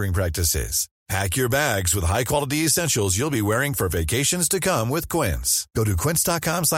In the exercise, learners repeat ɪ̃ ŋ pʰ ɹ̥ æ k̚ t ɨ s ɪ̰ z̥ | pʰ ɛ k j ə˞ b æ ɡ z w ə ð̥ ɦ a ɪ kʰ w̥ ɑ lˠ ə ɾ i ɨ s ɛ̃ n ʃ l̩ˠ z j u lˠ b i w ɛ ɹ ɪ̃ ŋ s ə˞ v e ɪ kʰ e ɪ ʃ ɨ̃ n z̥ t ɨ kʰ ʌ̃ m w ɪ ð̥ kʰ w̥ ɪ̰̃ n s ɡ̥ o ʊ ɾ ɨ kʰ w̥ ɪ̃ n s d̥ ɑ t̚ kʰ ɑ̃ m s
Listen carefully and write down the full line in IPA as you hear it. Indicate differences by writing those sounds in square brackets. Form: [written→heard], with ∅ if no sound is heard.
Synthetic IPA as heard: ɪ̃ ŋ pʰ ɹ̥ æ k̚ t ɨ s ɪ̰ z̥ | pʰ [ɛ→æ] k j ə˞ b æ ɡ z w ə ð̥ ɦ a ɪ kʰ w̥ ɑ lˠ ə ɾ i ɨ s ɛ̃ n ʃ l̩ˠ z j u lˠ b i w ɛ ɹ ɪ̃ ŋ [s→f] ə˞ v e ɪ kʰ e ɪ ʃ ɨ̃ n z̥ t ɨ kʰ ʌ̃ m w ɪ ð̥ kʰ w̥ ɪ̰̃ n s ɡ̥ o ʊ ɾ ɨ kʰ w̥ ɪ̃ n s d̥ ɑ t̚ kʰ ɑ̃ m s